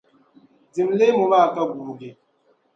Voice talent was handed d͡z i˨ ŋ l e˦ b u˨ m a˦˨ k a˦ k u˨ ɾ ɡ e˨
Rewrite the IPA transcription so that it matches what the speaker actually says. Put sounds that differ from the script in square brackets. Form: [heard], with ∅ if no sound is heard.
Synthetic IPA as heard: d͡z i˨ [m] l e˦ [m] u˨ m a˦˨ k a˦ [ɡ] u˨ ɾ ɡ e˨